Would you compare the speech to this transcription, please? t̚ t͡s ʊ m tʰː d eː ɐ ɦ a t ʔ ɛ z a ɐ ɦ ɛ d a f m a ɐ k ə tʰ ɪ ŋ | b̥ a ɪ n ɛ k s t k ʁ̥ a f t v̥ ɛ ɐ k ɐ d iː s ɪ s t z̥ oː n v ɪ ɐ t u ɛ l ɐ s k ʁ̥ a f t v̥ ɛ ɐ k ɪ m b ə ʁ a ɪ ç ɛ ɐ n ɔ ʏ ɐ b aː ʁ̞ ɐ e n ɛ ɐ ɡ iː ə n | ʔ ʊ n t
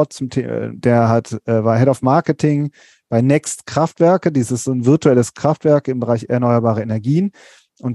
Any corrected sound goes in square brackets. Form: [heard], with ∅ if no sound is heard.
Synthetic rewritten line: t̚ t͡s ʊ m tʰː d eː ɐ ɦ a t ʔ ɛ [v] a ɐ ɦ ɛ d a f m a ɐ k ə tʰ ɪ ŋ | b̥ a ɪ n ɛ k s t k ʁ̥ a f t v̥ ɛ ɐ k [ə] d iː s ɪ s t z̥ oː n v ɪ ɐ t u ɛ l [ə] s k ʁ̥ a f t v̥ ɛ ɐ k ɪ m b ə ʁ a ɪ ç ɛ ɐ n ɔ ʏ ɐ b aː ʁ̞ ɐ e n ɛ ɐ ɡ iː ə n | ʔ ʊ n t